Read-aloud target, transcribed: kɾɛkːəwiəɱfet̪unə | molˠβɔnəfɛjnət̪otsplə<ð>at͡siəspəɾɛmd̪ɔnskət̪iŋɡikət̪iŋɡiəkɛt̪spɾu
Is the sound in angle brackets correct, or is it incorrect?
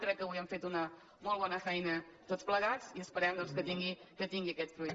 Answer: incorrect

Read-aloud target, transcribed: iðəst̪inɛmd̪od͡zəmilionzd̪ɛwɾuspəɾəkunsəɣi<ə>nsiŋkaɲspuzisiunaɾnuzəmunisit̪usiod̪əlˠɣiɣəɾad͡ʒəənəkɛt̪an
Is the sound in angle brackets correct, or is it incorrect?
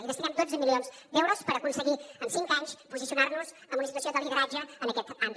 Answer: correct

